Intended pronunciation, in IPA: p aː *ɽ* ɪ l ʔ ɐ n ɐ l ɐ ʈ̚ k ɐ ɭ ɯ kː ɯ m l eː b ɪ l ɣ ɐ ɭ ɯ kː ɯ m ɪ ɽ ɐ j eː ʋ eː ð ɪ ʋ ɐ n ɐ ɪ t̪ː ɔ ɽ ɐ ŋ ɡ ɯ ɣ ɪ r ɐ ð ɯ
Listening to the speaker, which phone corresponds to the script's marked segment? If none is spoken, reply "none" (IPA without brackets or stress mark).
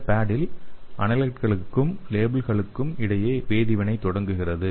ɽ